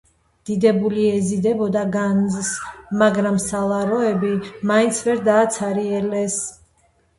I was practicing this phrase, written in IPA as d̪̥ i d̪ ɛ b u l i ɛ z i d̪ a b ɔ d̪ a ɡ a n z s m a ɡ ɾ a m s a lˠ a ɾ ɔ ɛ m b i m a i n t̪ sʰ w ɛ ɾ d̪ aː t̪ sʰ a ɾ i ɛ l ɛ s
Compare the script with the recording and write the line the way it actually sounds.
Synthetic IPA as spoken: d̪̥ i d̪ ɛ b u l i ɛ z i d̪ ɛ b ɔ d̪ a ɡ a n z s m a ɡ ɾ a m s a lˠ a ɾ ɔ ɛ b i m a i n t̪ sʰ v ɛ ɾ d̪ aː t̪ sʰ a ɾ i ɛ l ɛ s